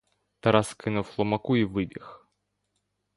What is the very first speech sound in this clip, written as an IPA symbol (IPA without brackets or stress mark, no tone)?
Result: t̪